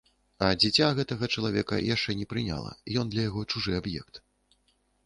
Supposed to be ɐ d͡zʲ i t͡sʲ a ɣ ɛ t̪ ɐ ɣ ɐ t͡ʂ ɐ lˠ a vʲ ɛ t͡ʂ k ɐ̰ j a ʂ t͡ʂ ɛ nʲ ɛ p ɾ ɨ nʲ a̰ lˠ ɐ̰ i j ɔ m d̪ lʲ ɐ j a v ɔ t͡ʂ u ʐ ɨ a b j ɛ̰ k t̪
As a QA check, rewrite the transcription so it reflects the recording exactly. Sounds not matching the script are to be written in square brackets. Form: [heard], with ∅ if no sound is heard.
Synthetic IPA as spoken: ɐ d͡zʲ i t͡sʲ a ɣ ɛ t̪ ɐ ɣ ɐ t͡ʂ ɐ lˠ a vʲ ɛ [∅] k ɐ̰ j a ʂ t͡ʂ ɛ nʲ ɛ p ɾ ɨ nʲ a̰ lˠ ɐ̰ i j ɔ [n] d̪ lʲ ɐ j a [ɣ] ɔ t͡ʂ u ʐ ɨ a b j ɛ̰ k t̪